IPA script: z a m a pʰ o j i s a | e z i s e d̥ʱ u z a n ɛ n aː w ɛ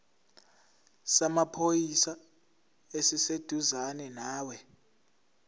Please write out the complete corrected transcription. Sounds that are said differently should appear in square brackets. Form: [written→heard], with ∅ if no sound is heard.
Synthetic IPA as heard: [z→s] a m a pʰ o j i s a | e [z→s] i s e d̥ʱ u z a n ɛ n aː w ɛ